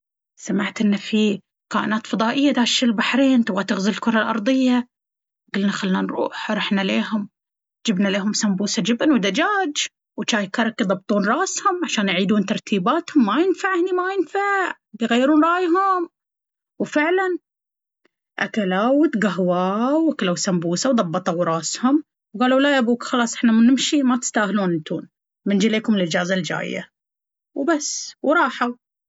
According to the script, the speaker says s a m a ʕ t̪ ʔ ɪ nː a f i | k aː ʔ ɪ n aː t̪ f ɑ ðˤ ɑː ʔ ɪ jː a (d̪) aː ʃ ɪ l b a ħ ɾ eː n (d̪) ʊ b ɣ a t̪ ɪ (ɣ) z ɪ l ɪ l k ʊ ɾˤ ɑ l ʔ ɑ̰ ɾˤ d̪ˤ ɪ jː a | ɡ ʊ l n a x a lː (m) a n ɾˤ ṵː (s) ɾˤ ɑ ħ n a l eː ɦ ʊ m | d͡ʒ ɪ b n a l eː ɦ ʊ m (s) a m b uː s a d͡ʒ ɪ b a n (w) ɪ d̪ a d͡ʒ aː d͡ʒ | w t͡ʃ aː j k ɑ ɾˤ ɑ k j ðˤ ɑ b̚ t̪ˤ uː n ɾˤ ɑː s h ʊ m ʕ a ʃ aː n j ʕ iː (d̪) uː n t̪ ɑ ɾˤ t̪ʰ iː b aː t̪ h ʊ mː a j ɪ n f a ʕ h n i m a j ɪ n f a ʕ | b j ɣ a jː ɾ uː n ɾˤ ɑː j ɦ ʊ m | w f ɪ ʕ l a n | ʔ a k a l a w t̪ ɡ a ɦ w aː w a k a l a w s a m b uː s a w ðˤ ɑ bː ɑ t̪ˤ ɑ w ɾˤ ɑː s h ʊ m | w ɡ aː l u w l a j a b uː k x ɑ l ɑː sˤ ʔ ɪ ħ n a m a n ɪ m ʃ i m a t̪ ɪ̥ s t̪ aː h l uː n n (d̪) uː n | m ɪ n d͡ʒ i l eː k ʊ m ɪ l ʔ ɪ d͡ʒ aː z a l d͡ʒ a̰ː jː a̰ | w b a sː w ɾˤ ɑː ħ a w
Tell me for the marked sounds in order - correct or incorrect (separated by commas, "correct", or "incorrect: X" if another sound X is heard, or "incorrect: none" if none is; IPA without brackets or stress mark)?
correct, incorrect: t̪, correct, incorrect: n, incorrect: ħ, correct, correct, correct, incorrect: t̪